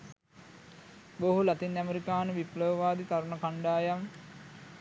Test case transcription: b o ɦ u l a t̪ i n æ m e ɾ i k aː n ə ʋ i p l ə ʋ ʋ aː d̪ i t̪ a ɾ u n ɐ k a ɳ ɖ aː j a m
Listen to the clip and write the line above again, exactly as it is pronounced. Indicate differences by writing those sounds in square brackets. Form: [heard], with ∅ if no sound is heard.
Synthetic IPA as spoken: b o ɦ u l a t̪ i n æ m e ɾ i k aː n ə ʋ i p l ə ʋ ʋ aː d̪ i t̪ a ɾ u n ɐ k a ɳ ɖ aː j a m